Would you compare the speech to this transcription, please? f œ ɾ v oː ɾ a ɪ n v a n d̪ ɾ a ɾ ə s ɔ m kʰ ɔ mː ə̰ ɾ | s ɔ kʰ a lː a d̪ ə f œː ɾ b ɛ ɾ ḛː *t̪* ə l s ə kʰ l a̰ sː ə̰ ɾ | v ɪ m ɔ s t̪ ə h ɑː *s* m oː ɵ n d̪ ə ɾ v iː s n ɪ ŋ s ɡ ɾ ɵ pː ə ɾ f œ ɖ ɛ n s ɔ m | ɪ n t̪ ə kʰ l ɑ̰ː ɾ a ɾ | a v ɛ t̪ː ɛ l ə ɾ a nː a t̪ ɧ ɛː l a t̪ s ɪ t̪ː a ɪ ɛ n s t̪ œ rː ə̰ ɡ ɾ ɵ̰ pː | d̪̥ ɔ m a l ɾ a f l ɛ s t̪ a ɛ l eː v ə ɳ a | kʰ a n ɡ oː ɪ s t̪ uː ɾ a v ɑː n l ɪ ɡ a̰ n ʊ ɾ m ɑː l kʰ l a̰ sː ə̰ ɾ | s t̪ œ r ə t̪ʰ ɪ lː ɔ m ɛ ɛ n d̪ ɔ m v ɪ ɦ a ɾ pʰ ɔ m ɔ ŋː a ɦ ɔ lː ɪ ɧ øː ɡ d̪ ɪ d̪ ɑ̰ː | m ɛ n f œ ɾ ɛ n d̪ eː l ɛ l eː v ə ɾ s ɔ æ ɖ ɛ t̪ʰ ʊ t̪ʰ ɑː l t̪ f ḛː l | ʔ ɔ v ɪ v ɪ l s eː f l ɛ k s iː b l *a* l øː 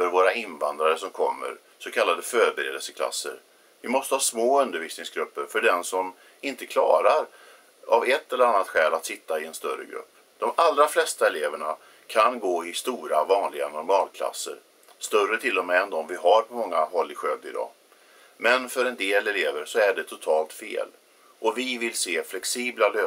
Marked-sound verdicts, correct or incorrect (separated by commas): incorrect, correct, correct